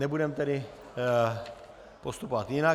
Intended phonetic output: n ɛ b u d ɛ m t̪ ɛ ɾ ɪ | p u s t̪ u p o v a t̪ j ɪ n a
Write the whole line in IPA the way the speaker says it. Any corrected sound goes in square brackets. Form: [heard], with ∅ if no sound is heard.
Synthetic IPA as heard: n ɛ b u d ɛ m t̪ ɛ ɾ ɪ | p [o] s t̪ u p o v a t̪ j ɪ n a